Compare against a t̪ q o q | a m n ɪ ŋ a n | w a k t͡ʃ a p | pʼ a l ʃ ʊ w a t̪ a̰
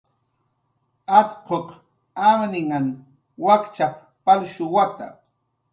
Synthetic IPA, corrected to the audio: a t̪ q o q | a m n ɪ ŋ a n | w a k t͡ʃ a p | p a l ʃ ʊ w a t̪ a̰